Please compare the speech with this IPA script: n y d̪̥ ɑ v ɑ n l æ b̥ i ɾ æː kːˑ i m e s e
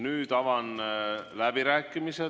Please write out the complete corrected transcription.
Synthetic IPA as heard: n yː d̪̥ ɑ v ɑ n l æ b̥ i ɾ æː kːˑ i m i s e